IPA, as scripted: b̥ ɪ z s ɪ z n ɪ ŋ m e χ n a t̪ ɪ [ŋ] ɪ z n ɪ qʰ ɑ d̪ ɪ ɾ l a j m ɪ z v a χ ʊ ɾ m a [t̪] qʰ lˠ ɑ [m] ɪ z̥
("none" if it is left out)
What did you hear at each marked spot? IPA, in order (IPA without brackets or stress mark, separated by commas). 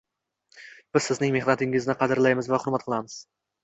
ŋ, t̪, m